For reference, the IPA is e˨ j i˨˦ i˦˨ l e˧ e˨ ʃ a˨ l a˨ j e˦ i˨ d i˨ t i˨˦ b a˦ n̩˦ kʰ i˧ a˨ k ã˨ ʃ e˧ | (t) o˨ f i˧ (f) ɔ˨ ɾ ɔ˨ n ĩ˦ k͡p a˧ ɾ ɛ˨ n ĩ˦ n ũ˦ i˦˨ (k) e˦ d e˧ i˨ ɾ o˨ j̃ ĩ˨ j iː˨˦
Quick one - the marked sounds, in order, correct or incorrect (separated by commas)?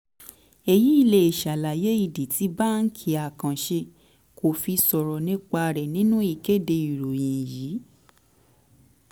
incorrect, incorrect, correct